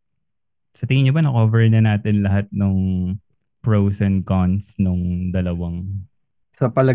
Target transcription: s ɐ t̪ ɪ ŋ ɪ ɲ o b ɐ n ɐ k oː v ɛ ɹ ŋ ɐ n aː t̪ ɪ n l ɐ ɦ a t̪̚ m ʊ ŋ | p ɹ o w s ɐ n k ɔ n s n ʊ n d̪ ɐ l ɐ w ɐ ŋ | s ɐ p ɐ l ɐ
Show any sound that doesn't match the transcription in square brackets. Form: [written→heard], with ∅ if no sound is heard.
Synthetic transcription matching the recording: s ɐ t̪ ɪ ŋ ɪ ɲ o b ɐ n ɐ k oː v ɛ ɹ [ŋ→n] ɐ n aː t̪ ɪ n l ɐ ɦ a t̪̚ [m→n] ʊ ŋ | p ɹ o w s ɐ n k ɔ n s n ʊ [n→ŋ] d̪ ɐ l ɐ w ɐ ŋ | s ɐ p ɐ l ɐ